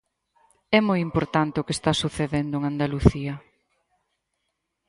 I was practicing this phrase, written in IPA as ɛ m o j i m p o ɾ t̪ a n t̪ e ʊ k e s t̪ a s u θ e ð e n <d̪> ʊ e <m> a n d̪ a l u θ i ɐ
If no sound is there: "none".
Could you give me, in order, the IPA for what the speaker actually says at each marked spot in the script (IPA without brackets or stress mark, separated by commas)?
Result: d̪, ŋ